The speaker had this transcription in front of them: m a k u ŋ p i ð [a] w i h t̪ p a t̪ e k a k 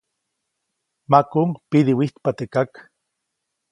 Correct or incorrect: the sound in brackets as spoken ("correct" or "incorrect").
incorrect